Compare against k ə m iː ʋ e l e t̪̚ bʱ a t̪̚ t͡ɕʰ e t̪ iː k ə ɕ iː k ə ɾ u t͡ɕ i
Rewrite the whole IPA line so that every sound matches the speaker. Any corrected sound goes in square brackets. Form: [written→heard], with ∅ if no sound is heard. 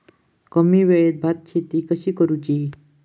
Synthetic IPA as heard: k ə m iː ʋ e [l→ɭ] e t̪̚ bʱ a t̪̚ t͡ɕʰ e t̪ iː k ə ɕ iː k ə ɾ u t͡ɕ i